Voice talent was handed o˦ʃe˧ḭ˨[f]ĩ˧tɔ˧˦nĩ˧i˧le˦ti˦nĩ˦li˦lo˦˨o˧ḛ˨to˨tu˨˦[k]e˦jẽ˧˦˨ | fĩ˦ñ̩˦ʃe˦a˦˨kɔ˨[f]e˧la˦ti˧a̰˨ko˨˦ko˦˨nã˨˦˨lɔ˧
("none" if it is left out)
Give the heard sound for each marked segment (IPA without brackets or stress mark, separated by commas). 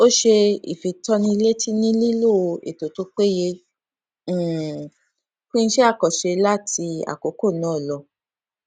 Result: f, k͡p, ʃ